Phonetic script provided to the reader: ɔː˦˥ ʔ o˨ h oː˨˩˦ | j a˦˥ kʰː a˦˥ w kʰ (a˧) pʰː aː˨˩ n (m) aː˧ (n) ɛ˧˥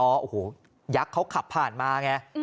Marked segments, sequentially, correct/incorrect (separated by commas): incorrect, correct, incorrect